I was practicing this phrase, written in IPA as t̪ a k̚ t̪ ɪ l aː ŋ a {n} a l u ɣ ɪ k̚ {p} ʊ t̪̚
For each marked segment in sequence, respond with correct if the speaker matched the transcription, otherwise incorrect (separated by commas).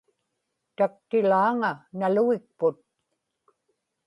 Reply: correct, correct